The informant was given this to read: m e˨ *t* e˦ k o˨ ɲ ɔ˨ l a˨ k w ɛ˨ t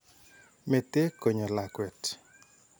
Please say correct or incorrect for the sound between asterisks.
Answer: correct